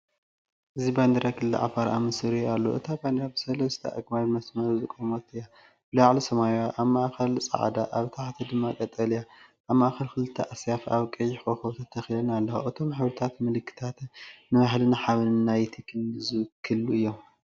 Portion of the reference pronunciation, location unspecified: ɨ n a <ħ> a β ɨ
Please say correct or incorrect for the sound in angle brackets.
correct